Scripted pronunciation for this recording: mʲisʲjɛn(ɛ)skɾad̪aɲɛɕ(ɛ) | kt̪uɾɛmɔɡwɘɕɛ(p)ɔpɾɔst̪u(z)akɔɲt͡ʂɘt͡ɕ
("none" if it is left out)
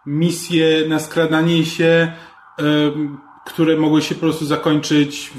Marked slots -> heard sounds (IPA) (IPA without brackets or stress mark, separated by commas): a, ɛ, p, z